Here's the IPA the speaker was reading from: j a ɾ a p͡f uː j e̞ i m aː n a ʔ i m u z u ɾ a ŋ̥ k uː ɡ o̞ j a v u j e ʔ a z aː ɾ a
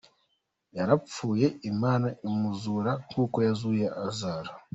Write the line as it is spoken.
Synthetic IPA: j a ɾ a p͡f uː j e̞ i m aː n a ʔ i m u z u ɾ a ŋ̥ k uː k o̞ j a z u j e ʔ a z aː ɾ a